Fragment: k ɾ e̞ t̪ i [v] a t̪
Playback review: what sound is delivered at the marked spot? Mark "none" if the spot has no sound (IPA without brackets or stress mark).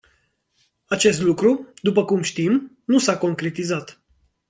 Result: z